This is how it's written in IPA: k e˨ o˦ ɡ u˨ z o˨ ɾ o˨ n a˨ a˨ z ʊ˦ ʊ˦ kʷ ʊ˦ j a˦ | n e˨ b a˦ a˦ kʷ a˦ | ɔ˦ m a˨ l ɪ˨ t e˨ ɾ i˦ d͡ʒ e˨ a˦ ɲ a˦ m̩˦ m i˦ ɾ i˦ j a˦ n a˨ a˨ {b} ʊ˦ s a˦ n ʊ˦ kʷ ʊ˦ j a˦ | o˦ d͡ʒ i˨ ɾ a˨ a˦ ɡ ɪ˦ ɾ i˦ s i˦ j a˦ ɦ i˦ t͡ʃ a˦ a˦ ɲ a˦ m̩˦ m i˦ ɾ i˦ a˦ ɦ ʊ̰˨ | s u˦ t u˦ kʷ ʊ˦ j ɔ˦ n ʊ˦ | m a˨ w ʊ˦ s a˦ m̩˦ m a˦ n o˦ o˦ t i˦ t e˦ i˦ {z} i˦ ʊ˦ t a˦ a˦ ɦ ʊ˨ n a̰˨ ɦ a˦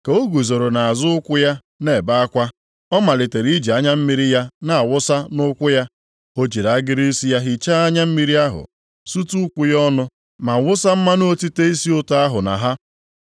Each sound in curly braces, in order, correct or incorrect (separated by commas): incorrect, incorrect